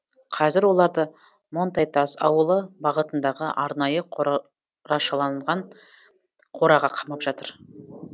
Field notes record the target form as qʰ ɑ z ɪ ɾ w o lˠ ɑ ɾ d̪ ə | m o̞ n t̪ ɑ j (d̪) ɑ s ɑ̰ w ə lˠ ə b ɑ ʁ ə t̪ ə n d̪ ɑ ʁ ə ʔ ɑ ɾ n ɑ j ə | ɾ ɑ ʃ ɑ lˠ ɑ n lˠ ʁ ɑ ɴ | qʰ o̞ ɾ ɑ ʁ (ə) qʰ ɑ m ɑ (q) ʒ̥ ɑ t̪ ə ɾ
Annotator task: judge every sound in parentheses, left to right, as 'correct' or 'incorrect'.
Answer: incorrect: t̪, incorrect: ɑ, incorrect: p

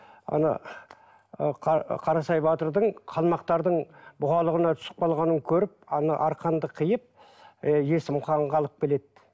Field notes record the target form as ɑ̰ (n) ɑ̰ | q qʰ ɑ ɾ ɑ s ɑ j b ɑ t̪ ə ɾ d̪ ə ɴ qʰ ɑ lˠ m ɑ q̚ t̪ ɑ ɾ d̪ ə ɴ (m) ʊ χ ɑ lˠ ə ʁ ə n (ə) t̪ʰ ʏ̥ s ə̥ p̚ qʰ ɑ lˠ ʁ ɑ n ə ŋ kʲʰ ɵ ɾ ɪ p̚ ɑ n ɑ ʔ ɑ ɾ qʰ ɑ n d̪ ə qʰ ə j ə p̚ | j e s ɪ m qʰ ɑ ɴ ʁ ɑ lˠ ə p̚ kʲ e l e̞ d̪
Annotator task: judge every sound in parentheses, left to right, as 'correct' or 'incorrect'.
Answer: correct, incorrect: b, incorrect: ɑ

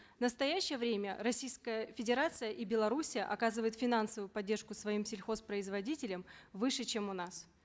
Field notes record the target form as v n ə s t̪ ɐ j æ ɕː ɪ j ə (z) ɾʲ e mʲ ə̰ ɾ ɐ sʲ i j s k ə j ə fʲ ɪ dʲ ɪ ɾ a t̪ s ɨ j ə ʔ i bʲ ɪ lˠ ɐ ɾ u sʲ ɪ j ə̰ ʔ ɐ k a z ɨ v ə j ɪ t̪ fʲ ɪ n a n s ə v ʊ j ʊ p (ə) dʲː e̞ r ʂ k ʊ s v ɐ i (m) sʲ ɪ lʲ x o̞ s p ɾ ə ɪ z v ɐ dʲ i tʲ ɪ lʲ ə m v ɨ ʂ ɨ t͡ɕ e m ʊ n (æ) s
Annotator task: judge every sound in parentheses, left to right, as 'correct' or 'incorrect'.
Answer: incorrect: v, incorrect: ɐ, correct, incorrect: a

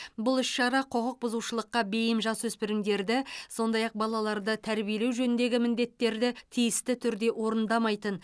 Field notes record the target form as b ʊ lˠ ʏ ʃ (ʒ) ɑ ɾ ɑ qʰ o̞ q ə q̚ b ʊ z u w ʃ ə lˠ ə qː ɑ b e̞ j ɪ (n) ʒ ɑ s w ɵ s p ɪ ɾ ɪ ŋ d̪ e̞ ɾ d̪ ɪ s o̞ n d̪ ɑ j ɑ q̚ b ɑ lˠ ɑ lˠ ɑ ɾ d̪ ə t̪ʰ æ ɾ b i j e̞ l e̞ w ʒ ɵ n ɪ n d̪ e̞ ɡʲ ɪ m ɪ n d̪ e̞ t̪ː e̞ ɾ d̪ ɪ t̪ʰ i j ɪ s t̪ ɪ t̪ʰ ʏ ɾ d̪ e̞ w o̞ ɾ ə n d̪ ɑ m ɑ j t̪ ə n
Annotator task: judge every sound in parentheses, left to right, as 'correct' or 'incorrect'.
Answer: incorrect: ʃ, incorrect: m

